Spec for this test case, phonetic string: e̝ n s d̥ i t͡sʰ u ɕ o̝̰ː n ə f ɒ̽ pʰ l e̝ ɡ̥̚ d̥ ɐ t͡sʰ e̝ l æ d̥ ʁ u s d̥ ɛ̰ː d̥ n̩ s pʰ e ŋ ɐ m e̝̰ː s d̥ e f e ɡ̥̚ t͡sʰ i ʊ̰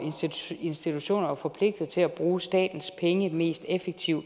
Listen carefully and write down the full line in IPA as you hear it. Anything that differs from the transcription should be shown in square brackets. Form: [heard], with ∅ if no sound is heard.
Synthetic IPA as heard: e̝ n s d̥ i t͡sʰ u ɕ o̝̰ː n [ɐ] f ɒ̽ pʰ l e̝ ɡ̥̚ d̥ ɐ t͡sʰ e̝ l æ [b̥] ʁ [uː] s d̥ ɛ̰ː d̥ n̩ s pʰ e ŋ [ə] m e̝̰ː s d̥ e f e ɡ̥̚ t͡sʰ i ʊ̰